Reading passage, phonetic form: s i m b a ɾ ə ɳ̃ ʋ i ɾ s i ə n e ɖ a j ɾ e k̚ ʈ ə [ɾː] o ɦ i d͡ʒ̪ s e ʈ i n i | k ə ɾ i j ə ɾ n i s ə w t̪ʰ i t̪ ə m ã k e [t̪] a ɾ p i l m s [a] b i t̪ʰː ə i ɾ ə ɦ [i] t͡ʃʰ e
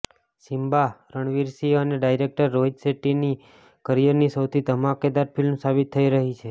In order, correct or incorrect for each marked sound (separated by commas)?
correct, incorrect, correct, correct